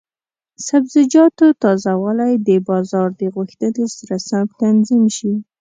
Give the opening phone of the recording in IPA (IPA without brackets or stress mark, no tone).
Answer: s